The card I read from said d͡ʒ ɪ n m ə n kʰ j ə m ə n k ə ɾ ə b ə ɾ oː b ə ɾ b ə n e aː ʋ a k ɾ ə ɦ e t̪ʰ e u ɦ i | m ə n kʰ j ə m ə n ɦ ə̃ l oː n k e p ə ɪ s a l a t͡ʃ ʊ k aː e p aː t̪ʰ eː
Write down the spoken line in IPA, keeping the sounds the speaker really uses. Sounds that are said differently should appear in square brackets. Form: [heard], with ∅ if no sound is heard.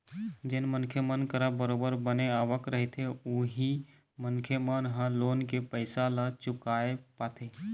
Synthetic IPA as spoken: d͡ʒ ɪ n m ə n kʰ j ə m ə n k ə ɾ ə b ə ɾ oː b ə ɾ b ə n e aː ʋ [ə] k ɾ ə ɦ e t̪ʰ e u ɦ i | m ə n kʰ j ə m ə n ɦ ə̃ l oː n k e p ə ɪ s a l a t͡ʃ ʊ k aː e p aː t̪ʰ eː